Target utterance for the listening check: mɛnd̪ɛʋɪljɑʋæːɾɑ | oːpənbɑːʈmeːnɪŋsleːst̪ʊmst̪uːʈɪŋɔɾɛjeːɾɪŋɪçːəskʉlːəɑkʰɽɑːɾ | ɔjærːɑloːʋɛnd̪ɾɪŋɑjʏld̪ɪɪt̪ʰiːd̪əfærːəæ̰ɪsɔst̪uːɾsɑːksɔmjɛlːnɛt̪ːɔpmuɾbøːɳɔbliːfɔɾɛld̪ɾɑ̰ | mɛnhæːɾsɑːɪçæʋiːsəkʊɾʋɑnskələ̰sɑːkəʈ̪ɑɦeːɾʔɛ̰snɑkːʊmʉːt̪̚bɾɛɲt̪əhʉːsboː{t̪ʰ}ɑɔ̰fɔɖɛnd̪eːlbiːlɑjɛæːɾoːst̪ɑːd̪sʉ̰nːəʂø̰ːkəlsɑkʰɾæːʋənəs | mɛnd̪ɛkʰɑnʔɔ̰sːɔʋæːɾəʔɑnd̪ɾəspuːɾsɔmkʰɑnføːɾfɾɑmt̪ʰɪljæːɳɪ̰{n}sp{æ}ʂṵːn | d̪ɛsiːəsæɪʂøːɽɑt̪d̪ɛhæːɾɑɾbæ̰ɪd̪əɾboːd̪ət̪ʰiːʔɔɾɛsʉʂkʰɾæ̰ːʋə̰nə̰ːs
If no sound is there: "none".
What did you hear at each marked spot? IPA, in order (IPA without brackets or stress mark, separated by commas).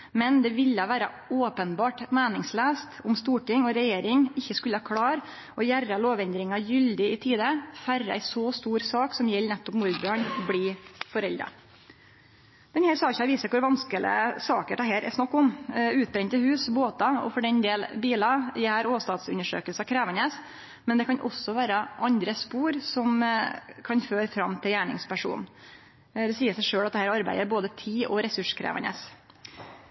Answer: t̪, ŋ, æ